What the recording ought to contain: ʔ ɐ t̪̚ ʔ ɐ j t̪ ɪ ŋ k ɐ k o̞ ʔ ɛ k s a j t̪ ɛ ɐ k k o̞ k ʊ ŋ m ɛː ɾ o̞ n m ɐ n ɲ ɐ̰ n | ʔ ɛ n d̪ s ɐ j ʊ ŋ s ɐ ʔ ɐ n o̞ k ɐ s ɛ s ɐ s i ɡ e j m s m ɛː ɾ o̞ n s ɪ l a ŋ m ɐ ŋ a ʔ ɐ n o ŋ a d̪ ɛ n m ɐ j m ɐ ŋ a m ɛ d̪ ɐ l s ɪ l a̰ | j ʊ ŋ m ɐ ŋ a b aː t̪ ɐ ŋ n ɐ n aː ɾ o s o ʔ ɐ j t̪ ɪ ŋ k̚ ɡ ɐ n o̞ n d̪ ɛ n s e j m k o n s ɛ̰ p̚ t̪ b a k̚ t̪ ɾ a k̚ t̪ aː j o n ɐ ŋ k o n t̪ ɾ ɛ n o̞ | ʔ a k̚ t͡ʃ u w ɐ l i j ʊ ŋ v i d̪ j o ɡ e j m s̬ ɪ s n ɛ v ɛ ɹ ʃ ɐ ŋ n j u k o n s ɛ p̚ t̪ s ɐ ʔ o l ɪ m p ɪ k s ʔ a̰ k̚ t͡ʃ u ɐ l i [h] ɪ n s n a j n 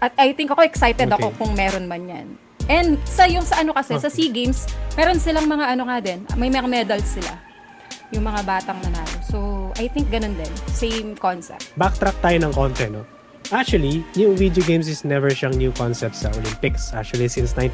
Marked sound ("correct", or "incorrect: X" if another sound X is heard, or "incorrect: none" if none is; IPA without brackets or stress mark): incorrect: s